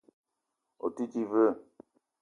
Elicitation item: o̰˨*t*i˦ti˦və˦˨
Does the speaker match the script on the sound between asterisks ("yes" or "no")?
yes